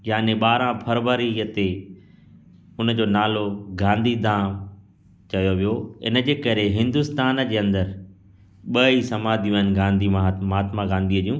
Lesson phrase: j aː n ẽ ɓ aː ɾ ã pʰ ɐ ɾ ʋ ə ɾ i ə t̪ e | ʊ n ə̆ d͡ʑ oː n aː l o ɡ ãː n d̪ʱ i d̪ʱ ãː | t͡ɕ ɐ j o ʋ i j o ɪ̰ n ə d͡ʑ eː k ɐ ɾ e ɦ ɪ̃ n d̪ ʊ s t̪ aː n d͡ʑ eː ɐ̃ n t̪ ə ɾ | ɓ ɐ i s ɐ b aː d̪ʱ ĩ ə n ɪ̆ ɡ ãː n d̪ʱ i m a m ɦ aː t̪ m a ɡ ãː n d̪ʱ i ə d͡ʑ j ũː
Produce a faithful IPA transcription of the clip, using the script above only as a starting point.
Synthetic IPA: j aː n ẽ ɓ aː ɾ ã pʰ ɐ ɾ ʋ ə ɾ i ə t̪ e | ʊ n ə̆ d͡ʑ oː n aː l o ɡ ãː n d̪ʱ i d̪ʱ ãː | t͡ɕ ɐ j o ʋ i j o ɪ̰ n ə d͡ʑ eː k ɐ ɾ e ɦ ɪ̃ n d̪ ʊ s t̪ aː n d͡ʑ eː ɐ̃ n d̪ ə ɾ | ɓ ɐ i s ɐ m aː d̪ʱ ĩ ə n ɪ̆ ɡ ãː n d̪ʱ i m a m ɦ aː t̪ m a ɡ ãː n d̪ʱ i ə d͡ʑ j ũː